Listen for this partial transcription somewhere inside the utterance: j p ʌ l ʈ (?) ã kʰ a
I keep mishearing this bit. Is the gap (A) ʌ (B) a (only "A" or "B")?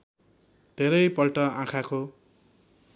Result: A